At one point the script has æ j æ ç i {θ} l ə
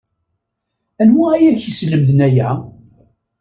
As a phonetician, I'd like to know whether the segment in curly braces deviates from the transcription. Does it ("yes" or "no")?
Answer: yes